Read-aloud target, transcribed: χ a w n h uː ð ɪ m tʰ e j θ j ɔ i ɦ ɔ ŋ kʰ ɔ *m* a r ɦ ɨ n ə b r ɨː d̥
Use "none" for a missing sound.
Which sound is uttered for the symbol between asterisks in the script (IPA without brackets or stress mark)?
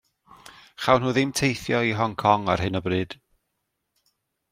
ŋ